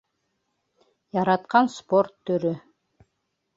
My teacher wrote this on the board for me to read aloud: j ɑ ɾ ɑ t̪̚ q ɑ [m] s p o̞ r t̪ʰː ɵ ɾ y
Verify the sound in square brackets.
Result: incorrect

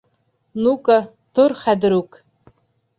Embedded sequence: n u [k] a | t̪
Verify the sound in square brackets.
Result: correct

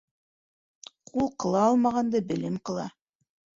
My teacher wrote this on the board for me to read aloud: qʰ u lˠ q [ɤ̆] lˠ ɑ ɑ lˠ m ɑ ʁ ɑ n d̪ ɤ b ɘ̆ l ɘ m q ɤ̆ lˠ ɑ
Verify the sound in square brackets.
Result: correct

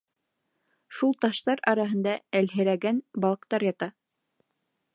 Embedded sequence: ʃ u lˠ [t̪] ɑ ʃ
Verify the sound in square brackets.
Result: correct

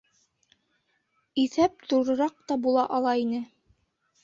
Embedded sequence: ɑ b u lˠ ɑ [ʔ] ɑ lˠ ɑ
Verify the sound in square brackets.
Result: correct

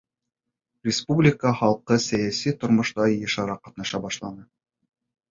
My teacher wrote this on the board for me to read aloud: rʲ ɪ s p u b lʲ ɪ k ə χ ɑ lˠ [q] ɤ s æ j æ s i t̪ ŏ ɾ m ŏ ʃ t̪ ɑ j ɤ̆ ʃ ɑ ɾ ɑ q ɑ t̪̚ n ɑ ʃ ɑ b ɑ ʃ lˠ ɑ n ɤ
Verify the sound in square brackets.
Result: correct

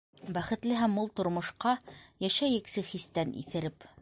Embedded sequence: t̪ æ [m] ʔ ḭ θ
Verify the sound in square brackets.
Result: incorrect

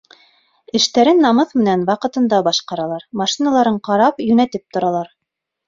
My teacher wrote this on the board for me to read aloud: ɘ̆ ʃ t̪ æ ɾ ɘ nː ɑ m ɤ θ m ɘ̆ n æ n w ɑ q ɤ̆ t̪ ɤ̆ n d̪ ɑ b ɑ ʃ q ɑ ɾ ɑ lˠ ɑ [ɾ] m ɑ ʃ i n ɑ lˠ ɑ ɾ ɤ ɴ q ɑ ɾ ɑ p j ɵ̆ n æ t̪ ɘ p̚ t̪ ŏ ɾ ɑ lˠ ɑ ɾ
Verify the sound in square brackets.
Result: correct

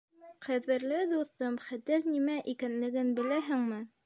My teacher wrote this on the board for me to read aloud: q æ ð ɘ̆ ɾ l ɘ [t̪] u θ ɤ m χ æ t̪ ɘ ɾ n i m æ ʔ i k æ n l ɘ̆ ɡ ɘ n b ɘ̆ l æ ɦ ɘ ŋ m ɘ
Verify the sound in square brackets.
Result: incorrect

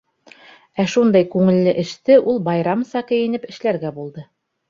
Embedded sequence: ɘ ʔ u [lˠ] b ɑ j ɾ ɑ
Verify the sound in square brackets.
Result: correct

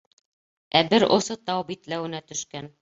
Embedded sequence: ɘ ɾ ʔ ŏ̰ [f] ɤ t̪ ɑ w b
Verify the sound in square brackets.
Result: incorrect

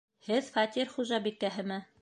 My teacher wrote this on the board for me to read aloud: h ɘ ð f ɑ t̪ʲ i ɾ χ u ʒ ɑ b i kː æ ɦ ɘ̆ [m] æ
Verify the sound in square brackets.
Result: correct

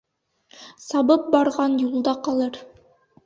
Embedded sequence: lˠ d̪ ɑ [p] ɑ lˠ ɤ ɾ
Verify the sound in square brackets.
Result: incorrect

